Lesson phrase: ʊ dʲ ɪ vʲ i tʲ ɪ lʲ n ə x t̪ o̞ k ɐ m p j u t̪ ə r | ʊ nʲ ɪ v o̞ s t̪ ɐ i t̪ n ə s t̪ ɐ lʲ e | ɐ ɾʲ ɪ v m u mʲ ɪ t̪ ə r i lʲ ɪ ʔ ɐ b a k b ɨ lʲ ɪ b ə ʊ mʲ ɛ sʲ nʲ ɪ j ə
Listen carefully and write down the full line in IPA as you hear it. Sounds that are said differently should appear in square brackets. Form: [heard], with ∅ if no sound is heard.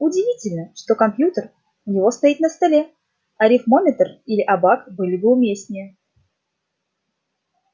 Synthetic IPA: ʊ dʲ ɪ vʲ i tʲ ɪ lʲ n ə [ʂ] t̪ o̞ k ɐ m p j u t̪ ə r | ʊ nʲ ɪ v o̞ s t̪ ɐ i t̪ n ə s t̪ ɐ lʲ e | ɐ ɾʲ ɪ [f] m [o] mʲ ɪ t̪ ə r i lʲ ɪ ʔ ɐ b a k b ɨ lʲ ɪ b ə ʊ mʲ [e] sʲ nʲ ɪ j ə